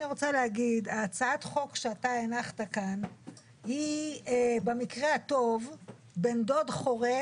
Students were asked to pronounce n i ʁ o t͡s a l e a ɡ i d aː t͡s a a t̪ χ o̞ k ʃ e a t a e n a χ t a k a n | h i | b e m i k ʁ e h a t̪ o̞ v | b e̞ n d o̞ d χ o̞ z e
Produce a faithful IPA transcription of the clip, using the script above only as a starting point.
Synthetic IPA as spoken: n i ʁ o t͡s a l e a ɡ i d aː t͡s a a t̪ χ o̞ k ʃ e a t a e n a χ t a k a n | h i | b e m i k ʁ e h a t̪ o̞ v | b e̞ n d o̞ d χ o̞ ʁ e